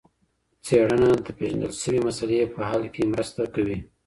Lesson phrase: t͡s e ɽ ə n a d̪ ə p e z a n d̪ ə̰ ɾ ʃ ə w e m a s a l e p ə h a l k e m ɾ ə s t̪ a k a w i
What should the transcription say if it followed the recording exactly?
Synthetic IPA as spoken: t͡s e ɽ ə n a d̪ ə p e ʒ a n d̪ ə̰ l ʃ ə w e m a s a l e p ə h a l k e m ɾ ə s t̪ a k a w i